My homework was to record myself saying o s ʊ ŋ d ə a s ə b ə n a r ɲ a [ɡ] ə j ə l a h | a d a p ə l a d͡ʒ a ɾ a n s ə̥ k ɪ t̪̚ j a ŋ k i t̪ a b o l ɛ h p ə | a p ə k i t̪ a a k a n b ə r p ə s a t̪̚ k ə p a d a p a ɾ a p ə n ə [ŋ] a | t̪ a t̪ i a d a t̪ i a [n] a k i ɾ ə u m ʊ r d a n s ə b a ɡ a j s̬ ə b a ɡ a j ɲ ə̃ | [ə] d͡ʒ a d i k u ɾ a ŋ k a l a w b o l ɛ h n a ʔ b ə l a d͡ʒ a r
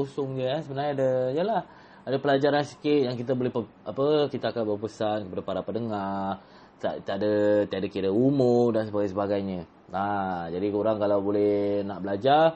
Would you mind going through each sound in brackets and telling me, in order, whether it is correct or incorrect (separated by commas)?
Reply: incorrect, correct, incorrect, incorrect